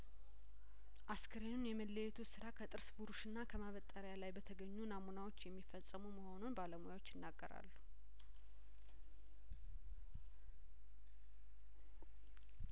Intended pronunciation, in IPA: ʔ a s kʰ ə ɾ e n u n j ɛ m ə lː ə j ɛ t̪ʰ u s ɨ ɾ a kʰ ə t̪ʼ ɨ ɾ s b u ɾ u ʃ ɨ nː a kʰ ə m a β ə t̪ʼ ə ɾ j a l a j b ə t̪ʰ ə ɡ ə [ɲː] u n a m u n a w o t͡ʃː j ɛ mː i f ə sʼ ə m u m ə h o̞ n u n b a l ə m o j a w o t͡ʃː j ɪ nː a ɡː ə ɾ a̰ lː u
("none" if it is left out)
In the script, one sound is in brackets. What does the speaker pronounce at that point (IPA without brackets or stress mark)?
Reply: ɲː